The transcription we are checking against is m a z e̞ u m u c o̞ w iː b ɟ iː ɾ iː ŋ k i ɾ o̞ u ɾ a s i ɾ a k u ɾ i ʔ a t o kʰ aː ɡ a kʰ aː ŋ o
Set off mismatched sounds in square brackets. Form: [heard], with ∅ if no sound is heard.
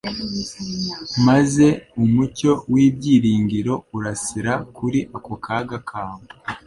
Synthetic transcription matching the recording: m a z e̞ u m u c o̞ w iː b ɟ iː ɾ iː ŋ [ɡ] i ɾ o̞ u ɾ a s i ɾ a k u ɾ i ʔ a [k] o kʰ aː ɡ a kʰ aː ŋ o